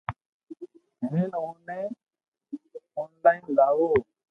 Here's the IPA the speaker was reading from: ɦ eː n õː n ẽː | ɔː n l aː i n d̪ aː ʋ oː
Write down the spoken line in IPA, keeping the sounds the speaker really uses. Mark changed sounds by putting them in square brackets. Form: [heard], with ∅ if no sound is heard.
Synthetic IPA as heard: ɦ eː n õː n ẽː | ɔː n l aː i n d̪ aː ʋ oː